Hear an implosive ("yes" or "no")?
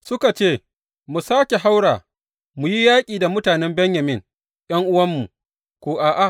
no